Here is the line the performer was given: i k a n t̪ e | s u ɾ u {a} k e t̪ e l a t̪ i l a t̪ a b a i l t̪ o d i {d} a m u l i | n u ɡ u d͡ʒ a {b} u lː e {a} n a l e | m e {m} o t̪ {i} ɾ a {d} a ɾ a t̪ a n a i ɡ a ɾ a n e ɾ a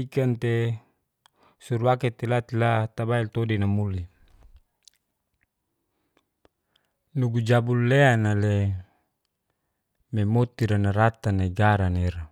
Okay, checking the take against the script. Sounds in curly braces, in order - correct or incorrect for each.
correct, incorrect, correct, correct, correct, correct, incorrect

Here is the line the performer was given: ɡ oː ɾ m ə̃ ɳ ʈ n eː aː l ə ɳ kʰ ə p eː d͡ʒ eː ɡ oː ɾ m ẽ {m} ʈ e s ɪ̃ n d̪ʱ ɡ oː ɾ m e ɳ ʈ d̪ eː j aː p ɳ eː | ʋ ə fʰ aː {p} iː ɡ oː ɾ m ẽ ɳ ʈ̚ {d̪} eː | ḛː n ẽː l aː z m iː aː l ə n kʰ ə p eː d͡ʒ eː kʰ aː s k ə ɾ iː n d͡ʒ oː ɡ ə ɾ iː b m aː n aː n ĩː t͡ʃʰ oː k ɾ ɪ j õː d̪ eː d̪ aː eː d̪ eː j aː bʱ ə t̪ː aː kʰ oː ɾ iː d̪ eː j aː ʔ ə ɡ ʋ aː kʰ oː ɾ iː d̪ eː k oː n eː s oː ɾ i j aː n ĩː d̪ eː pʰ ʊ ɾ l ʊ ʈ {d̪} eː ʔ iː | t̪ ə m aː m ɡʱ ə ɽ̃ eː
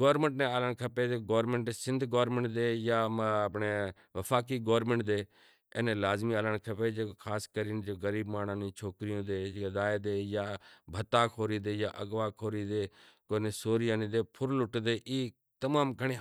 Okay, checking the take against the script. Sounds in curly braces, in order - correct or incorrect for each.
incorrect, incorrect, correct, correct

